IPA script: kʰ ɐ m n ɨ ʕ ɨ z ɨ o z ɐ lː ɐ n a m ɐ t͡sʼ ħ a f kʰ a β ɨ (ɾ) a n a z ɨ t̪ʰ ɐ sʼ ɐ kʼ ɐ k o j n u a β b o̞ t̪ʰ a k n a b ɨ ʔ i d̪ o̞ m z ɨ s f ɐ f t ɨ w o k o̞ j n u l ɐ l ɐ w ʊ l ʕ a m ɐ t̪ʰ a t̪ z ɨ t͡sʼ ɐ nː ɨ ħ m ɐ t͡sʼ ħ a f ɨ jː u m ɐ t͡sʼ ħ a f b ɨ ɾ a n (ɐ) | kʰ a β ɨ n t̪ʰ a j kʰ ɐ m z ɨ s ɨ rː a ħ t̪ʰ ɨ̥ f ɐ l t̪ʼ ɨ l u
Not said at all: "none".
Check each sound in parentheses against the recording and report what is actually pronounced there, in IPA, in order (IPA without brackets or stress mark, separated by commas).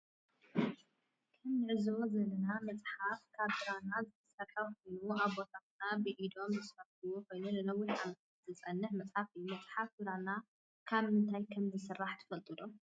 ɾ, a